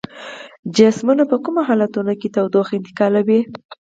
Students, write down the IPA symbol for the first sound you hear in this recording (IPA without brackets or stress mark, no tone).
d͡ʒ